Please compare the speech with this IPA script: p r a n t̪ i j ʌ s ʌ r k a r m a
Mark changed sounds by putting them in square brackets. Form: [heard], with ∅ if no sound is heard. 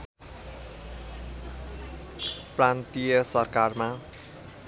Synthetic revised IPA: p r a n t̪ i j ʌ s ʌ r k a r m a